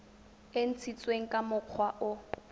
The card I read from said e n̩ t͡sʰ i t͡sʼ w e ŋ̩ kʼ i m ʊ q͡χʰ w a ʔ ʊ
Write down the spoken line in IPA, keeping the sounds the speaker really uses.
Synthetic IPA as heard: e n̩ t͡sʰ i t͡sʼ w e ŋ̩ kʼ a m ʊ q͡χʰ w a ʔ ʊ